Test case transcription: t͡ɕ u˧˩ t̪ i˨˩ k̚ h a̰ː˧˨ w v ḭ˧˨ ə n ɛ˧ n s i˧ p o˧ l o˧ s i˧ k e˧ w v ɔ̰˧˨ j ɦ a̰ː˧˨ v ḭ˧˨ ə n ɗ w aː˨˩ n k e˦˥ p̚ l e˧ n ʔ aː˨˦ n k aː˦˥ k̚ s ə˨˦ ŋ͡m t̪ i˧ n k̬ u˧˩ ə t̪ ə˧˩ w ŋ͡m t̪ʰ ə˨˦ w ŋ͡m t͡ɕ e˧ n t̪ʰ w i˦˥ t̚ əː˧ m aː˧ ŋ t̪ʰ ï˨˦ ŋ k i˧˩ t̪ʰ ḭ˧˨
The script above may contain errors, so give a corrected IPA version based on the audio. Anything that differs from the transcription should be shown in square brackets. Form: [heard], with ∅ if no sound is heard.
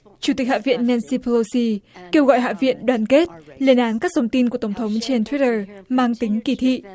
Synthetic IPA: t͡ɕ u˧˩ t̪ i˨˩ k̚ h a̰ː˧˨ [∅] v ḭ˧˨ ə [nː] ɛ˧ n s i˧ p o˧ l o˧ s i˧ k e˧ w [ɣ] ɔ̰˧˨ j ɦ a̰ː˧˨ v ḭ˧˨ ə n ɗ w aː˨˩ n k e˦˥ [t̚] l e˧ n ʔ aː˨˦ n k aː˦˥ k̚ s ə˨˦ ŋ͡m t̪ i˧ n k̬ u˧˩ ə t̪ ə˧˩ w ŋ͡m t̪ʰ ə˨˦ w ŋ͡m t͡ɕ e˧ n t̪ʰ w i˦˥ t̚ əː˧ m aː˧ ŋ [t̪] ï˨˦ ŋ k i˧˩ t̪ʰ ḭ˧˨